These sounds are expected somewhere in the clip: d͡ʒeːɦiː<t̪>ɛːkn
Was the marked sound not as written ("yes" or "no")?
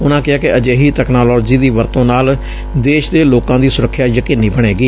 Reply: no